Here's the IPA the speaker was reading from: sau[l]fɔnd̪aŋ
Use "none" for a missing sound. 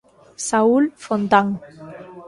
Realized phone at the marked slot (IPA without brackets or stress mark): l